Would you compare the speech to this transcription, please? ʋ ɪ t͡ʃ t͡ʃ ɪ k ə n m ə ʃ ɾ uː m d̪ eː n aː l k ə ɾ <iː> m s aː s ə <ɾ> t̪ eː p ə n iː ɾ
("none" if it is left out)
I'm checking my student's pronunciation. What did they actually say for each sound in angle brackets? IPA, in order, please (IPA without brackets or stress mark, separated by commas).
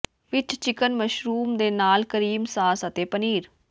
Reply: iː, none